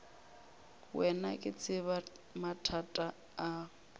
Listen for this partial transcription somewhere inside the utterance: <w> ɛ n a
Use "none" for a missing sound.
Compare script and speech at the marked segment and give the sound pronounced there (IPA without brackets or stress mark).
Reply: w